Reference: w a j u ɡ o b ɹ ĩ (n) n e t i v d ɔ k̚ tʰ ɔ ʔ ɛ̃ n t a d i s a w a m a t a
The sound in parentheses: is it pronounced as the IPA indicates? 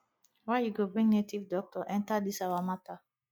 no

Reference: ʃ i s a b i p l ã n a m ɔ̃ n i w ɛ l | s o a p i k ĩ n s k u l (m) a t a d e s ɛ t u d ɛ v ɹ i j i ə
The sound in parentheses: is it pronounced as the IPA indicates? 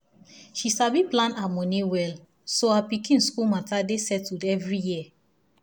yes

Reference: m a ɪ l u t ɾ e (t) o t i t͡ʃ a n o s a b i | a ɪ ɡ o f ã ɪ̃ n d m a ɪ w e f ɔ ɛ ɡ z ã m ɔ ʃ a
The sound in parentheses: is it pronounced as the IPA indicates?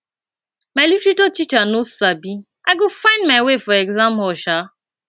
yes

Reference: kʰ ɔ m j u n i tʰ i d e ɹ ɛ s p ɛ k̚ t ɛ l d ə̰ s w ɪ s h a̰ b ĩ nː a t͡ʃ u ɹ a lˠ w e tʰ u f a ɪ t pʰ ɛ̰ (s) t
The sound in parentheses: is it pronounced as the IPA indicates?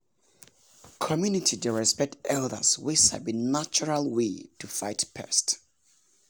yes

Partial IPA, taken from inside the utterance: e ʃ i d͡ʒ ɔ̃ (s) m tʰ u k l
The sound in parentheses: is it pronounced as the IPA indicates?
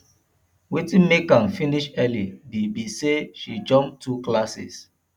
no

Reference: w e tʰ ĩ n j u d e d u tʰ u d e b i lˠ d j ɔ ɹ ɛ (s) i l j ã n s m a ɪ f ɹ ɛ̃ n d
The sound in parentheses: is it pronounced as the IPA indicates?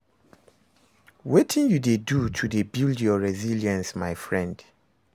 no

